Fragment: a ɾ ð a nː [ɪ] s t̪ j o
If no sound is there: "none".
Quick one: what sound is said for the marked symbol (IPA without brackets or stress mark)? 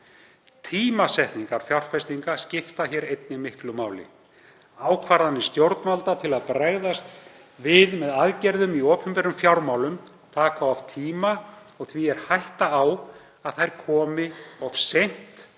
ɪ